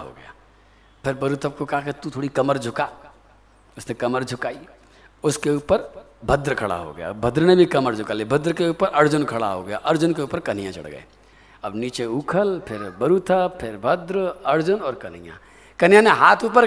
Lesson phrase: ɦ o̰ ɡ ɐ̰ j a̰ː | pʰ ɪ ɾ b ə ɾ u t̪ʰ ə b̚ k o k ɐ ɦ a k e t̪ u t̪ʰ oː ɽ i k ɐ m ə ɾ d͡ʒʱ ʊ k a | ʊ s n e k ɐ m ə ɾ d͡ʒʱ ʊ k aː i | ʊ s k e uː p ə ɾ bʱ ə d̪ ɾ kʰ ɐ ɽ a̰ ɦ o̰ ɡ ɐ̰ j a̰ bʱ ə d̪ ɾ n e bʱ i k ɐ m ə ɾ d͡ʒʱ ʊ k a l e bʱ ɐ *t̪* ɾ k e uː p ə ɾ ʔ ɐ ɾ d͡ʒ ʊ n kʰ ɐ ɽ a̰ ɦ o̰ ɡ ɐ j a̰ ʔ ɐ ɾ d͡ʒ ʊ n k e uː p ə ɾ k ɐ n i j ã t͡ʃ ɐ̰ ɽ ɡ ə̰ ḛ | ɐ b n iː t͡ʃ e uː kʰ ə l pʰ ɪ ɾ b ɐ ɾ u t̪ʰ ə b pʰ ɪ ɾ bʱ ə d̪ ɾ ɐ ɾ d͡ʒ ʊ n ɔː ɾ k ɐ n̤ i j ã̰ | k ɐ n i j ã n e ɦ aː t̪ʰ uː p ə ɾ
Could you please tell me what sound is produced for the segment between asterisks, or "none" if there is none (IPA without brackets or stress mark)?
d̪